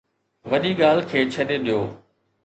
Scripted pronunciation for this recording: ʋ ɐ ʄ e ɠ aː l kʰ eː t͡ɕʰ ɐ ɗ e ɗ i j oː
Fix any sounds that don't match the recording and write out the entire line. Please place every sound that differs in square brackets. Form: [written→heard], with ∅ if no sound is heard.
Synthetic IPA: ʋ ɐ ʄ [e→i] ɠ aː l kʰ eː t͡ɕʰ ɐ ɗ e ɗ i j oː